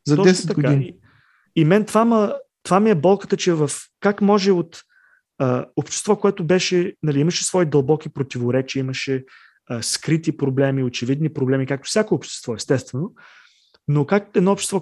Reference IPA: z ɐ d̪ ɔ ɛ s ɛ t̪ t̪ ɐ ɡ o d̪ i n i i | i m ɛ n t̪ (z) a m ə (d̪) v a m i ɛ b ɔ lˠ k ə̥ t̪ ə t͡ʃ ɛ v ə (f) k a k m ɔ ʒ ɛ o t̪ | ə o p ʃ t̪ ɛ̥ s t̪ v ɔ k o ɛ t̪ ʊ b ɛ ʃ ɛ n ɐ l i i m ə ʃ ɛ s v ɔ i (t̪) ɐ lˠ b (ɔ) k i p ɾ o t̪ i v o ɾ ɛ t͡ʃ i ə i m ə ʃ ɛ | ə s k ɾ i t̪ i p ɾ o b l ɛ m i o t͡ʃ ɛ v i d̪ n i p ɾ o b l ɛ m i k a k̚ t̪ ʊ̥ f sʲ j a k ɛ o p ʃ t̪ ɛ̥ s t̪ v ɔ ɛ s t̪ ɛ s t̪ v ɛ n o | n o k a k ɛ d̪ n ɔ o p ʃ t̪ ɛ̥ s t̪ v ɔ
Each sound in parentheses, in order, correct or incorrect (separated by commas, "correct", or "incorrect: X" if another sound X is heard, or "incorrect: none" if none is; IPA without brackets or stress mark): incorrect: v, incorrect: t̪, correct, incorrect: d̪, correct